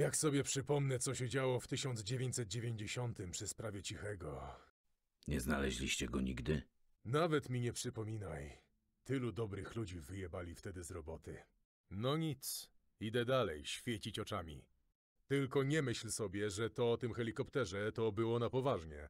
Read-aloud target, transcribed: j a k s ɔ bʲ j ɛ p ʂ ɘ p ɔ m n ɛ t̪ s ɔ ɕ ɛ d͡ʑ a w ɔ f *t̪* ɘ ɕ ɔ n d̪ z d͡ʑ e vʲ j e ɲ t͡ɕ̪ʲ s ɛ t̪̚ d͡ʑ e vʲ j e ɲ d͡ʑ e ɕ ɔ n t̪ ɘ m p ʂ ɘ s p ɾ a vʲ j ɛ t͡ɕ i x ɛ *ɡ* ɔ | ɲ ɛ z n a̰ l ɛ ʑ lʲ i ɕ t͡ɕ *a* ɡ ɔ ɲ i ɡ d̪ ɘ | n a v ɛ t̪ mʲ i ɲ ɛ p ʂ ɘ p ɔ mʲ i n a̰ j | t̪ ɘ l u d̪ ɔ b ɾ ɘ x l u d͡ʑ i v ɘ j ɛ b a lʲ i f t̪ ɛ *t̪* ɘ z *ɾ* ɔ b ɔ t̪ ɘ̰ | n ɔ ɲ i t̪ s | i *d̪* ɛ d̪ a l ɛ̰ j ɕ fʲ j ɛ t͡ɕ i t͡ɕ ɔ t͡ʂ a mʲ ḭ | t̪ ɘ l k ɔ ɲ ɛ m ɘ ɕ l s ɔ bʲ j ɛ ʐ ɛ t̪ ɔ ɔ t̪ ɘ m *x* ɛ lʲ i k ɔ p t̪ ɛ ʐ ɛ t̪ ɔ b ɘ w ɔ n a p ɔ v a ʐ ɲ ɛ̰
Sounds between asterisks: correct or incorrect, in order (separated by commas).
correct, correct, incorrect, incorrect, correct, correct, correct